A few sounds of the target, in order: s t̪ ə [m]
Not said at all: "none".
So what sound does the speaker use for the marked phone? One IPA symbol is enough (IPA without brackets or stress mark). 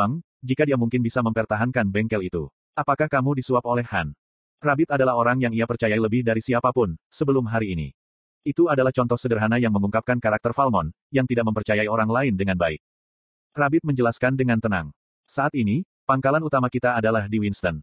n